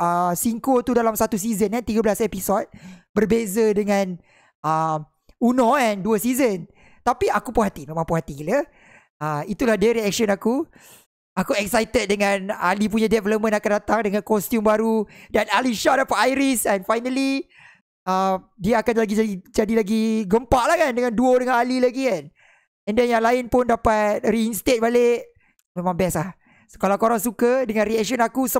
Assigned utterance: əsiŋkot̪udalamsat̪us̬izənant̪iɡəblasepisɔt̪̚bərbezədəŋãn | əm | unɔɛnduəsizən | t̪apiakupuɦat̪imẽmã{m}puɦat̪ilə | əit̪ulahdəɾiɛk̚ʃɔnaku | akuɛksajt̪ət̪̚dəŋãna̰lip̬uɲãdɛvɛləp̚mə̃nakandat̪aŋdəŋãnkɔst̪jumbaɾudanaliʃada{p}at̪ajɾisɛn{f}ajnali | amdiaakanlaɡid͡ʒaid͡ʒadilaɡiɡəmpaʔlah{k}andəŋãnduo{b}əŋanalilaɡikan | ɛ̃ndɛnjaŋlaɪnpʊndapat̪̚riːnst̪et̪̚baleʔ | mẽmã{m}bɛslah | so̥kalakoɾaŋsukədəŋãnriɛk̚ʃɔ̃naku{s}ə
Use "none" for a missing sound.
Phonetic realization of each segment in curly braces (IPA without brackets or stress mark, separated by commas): ŋ, p, f, k, d, ŋ, s